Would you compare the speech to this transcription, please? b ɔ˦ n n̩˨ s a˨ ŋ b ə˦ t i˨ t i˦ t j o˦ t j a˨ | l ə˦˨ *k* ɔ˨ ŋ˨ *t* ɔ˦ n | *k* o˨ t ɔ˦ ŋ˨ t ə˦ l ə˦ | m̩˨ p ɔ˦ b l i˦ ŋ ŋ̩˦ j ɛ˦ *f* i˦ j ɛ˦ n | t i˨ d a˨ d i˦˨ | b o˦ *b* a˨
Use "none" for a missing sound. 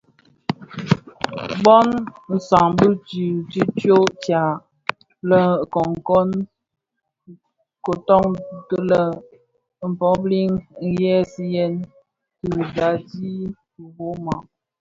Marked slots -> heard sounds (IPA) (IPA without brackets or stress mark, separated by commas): k, k, k, s, m